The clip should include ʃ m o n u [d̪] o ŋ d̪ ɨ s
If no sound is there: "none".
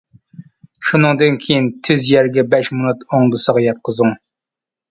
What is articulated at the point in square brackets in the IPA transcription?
t̪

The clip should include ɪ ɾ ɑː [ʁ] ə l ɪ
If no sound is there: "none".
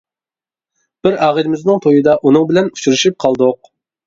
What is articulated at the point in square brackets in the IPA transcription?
ʁ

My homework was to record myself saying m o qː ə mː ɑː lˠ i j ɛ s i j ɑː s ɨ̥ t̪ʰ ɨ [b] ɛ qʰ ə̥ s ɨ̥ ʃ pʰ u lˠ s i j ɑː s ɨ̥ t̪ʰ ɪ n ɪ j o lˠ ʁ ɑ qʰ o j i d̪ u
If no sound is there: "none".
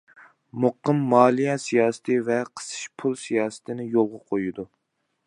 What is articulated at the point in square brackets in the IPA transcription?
v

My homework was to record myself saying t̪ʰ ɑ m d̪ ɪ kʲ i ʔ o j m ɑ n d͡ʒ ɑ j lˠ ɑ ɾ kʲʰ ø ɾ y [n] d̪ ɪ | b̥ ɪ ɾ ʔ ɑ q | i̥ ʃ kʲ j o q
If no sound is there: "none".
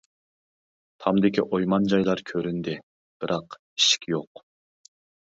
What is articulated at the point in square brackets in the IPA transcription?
n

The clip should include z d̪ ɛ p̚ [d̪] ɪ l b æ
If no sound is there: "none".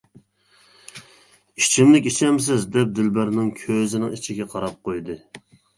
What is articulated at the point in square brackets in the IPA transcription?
d̪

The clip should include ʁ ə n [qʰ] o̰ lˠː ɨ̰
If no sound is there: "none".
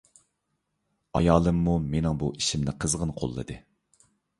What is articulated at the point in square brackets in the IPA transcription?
qʰ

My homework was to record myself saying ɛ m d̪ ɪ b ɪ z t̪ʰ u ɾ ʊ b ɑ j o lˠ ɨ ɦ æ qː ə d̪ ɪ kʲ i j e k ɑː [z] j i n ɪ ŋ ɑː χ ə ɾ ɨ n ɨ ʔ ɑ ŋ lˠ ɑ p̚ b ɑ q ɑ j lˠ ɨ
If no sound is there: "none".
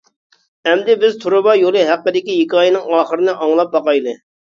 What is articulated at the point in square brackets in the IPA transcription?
none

